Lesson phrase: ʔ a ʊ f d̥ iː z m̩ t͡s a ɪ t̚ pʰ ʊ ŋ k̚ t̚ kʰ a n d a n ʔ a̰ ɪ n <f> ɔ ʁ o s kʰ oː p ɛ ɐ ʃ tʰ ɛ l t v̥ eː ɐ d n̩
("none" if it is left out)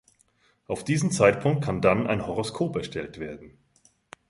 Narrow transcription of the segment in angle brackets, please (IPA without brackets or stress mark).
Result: h